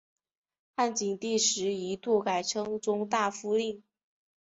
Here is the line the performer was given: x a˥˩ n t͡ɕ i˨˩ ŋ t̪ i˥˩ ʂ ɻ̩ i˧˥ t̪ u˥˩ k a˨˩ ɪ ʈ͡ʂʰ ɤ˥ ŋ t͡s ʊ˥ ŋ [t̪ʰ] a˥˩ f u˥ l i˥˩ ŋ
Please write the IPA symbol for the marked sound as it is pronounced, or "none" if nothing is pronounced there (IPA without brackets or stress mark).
t̪